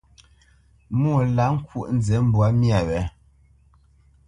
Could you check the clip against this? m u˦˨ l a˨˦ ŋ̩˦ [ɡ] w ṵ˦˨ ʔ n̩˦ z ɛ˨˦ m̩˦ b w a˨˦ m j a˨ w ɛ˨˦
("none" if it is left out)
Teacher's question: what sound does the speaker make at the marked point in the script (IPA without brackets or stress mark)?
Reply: k